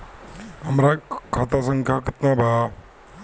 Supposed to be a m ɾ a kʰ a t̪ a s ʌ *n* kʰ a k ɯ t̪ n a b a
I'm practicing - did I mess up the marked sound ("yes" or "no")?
yes